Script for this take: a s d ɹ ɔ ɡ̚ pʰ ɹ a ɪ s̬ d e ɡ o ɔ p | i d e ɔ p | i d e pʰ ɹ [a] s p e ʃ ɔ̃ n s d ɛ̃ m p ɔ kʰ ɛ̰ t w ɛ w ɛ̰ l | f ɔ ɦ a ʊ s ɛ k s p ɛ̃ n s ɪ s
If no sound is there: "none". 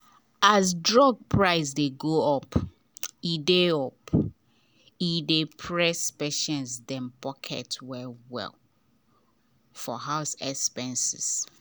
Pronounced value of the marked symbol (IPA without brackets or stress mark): ɛ